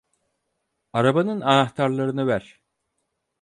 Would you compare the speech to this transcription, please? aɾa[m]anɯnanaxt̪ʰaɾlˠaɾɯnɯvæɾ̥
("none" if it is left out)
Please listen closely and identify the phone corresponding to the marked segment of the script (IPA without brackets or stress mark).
b